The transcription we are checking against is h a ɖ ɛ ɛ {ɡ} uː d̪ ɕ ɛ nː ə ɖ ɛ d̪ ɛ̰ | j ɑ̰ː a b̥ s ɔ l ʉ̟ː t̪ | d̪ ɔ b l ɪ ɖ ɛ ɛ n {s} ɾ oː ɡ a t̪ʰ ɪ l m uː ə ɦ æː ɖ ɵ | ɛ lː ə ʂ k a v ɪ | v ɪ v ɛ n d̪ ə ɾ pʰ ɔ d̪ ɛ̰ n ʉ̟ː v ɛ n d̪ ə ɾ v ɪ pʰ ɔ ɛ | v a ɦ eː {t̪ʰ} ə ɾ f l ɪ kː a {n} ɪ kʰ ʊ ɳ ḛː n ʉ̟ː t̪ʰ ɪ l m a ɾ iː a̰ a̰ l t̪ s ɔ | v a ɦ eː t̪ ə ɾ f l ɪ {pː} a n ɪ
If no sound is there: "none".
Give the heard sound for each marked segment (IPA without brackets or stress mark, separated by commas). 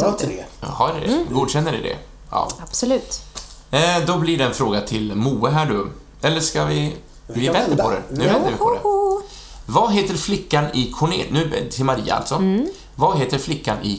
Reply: ɡ, f, t̪, n, kː